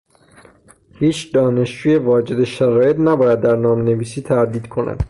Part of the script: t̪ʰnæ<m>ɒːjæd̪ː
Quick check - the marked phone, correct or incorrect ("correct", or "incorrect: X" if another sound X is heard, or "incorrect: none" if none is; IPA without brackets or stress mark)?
incorrect: b